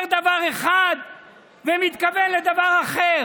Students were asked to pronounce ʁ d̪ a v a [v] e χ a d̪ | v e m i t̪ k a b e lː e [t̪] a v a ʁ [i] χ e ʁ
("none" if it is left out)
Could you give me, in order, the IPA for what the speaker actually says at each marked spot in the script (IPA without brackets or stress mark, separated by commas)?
ʁ, d̪, a